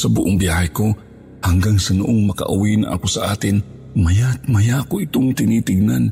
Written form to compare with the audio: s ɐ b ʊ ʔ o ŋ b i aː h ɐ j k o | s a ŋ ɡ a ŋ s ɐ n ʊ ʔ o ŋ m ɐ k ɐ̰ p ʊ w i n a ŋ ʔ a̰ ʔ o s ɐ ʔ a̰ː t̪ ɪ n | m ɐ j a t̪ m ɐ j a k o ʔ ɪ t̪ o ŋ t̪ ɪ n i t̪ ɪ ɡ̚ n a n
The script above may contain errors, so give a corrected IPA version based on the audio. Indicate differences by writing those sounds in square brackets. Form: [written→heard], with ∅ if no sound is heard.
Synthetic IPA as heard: s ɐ b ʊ ʔ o ŋ b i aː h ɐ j k o | [s→h] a ŋ ɡ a ŋ s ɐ n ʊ ʔ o ŋ m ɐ k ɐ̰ [p→ʔ] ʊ w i n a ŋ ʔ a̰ [ʔ→k] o s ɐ ʔ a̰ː t̪ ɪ n | m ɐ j a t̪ m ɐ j a k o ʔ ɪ t̪ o ŋ t̪ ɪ n i t̪ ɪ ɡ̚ n a n